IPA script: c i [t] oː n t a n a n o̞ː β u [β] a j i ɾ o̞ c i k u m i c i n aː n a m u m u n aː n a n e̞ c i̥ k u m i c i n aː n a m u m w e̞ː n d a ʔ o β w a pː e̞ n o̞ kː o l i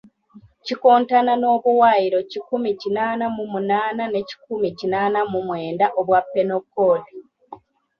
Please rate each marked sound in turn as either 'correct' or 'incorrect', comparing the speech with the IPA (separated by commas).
incorrect, incorrect